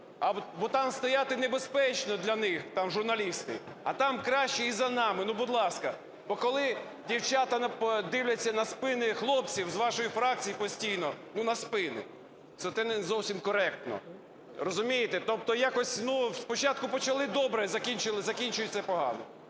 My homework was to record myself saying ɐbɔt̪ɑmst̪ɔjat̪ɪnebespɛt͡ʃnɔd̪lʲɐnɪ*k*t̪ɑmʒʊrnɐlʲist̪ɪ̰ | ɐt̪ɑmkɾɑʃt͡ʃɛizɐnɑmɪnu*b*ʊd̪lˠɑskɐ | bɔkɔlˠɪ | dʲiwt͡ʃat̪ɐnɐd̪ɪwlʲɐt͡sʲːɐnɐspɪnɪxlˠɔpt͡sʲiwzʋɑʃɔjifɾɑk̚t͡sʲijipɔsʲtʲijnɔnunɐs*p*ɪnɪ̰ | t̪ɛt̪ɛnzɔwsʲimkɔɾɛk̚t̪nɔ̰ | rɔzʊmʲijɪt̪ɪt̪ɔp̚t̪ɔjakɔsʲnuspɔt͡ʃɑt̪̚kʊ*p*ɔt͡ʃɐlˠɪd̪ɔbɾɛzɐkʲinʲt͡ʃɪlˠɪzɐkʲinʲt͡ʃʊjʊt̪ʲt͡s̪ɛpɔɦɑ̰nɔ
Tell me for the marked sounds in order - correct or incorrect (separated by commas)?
incorrect, correct, correct, correct